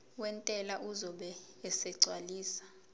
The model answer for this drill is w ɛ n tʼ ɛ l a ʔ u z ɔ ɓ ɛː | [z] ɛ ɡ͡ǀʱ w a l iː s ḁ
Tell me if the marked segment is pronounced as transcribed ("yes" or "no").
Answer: no